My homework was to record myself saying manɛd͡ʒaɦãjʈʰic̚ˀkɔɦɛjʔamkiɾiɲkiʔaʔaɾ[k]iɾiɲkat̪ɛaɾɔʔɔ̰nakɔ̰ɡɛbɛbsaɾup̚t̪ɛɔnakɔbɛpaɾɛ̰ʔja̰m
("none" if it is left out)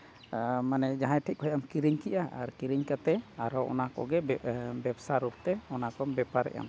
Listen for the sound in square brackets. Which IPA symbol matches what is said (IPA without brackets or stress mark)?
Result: k